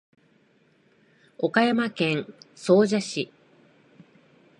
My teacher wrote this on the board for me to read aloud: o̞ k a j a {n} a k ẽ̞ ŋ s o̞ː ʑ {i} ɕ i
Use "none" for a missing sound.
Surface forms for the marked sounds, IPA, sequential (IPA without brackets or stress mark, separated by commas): m, a